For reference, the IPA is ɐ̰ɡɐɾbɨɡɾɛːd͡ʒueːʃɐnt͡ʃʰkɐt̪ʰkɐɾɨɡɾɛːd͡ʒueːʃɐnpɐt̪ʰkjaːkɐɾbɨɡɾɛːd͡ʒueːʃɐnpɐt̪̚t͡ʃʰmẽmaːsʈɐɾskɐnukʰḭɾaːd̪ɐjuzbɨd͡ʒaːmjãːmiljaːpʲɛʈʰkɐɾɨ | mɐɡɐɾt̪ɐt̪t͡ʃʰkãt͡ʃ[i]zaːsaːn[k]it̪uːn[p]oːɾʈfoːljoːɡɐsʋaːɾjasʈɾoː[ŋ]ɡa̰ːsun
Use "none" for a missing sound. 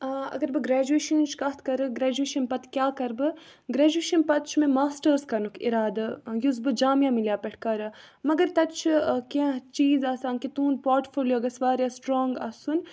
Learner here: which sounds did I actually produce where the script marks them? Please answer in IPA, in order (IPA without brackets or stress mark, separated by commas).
iː, k, p, ŋ